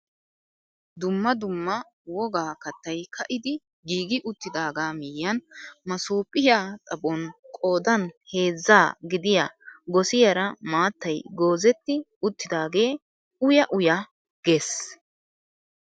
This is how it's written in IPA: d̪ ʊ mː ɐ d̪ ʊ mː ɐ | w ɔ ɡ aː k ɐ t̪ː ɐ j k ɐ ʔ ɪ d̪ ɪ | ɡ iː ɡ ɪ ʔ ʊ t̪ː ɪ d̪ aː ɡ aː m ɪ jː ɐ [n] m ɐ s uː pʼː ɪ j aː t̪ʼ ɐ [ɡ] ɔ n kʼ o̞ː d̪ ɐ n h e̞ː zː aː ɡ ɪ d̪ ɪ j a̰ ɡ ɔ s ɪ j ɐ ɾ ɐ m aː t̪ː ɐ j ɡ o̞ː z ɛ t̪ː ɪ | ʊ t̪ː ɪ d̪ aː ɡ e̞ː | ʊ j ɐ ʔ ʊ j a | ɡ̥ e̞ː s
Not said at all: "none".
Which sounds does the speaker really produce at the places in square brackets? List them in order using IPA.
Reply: n, b

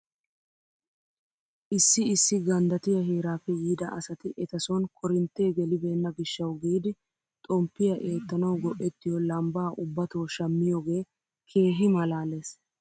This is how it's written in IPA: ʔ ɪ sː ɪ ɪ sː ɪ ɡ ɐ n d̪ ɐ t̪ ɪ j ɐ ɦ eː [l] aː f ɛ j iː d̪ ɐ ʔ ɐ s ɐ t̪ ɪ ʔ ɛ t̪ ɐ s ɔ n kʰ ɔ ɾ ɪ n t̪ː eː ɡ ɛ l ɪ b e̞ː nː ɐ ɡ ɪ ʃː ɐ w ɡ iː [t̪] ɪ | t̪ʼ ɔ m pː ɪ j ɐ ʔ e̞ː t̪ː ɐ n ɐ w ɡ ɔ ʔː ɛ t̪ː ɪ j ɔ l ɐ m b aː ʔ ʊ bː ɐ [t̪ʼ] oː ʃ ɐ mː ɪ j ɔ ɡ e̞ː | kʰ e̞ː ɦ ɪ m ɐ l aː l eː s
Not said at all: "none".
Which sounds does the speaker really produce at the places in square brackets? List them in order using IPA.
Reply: ɾ, d̪, t̪

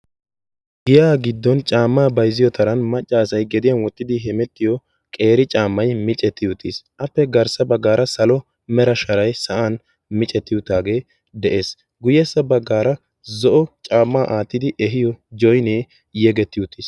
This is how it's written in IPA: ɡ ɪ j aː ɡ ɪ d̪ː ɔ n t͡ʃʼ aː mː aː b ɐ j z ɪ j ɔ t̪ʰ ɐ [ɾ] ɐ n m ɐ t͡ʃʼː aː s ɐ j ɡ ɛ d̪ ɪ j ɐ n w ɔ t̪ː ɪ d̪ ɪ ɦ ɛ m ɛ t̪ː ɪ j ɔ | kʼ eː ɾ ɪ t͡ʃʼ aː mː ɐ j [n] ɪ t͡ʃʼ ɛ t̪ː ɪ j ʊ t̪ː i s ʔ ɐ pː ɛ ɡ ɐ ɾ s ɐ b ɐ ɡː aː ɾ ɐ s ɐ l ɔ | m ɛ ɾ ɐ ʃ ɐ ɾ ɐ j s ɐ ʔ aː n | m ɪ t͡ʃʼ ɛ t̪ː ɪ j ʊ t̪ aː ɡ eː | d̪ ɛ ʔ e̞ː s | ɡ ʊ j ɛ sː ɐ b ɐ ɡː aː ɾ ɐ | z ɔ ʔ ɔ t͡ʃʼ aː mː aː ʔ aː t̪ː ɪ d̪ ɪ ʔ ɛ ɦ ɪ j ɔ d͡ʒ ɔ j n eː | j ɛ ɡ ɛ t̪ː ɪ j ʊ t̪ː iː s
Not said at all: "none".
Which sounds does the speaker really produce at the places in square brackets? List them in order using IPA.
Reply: ɾ, m

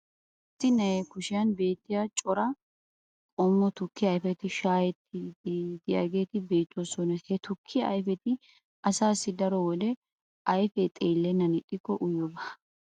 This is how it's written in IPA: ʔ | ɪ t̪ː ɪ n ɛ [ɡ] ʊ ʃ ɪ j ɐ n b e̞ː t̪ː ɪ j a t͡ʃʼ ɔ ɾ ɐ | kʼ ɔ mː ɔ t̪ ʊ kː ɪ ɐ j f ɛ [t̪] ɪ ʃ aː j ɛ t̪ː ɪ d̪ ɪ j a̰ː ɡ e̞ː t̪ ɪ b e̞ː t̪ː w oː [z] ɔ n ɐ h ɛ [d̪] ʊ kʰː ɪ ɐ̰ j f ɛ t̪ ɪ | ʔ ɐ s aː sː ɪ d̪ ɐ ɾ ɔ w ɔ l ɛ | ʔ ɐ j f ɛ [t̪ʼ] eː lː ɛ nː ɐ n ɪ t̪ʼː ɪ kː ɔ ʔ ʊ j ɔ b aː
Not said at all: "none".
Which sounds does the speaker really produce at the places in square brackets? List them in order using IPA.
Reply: k, t̪, s, t̪, t̪ʼ

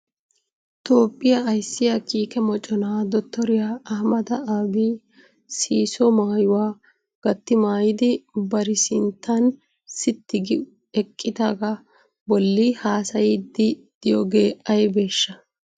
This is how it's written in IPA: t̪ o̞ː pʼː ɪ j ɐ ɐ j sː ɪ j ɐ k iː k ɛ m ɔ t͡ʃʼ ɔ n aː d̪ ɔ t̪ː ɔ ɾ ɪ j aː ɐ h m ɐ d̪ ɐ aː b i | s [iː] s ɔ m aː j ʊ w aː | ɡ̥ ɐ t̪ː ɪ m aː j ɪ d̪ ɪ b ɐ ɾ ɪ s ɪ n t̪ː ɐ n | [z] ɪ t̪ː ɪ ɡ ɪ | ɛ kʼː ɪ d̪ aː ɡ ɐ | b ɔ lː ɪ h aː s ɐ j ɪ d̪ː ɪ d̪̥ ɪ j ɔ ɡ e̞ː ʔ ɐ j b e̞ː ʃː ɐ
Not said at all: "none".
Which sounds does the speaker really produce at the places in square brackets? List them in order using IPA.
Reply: iː, s

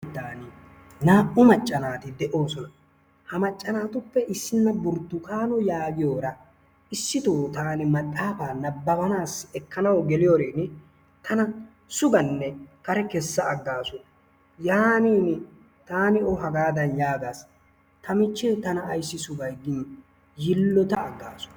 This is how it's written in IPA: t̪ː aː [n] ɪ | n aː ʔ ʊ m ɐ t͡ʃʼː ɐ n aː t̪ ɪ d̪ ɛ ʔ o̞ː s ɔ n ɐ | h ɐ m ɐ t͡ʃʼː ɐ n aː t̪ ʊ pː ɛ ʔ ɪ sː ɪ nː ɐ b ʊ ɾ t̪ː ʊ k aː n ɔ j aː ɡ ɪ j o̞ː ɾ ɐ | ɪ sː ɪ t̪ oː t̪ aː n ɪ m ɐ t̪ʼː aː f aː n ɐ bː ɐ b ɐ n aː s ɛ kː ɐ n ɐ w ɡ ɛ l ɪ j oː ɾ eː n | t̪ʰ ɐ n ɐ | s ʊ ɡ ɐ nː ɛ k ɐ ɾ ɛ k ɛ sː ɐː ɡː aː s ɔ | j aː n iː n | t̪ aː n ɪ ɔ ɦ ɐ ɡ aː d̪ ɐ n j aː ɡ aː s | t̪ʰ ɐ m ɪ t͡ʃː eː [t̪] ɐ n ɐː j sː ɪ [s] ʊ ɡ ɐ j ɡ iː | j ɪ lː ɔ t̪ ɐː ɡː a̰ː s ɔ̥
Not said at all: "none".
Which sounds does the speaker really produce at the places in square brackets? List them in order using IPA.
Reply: n, t̪, s

